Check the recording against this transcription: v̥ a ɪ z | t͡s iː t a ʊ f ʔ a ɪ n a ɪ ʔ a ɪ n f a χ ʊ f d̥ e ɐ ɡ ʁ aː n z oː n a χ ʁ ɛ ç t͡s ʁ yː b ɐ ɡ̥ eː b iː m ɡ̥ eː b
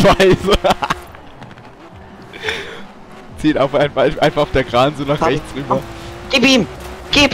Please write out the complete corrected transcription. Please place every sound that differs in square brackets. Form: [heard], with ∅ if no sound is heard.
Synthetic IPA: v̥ a ɪ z | t͡s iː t a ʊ f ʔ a ɪ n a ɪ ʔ a ɪ n f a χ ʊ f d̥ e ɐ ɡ ʁ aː n z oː n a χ ʁ ɛ ç t͡s ʁ yː b ɐ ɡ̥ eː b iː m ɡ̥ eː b